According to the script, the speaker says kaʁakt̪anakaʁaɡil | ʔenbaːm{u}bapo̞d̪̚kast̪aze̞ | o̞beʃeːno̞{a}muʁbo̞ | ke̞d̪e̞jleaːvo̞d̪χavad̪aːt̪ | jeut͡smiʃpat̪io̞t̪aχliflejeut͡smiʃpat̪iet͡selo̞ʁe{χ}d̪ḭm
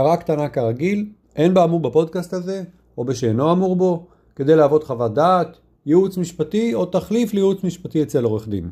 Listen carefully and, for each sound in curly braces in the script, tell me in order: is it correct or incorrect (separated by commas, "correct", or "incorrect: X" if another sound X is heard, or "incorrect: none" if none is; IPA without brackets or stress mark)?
correct, correct, correct